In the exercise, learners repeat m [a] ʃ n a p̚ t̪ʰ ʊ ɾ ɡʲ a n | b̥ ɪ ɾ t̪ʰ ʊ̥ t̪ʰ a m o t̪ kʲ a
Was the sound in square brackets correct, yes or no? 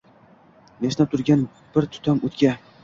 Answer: no